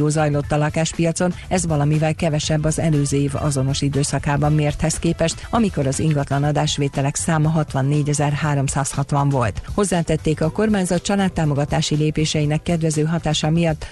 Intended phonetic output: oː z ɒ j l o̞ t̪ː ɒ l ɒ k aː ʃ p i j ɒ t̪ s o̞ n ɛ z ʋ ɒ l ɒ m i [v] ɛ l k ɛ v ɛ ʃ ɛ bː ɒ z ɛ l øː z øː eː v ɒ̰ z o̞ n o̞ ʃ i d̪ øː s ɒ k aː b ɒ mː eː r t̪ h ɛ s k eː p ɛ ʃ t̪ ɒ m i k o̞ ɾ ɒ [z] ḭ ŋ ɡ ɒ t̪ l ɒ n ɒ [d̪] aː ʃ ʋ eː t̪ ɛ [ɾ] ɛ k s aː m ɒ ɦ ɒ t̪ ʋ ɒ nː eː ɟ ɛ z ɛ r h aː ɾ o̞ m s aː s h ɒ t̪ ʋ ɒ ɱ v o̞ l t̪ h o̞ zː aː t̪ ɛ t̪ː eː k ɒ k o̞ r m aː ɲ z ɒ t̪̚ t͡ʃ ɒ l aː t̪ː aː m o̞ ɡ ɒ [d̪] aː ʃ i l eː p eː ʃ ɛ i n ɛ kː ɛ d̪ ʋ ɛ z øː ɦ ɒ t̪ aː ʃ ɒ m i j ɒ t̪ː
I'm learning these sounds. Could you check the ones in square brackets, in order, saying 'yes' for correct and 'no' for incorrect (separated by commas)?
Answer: yes, yes, yes, no, no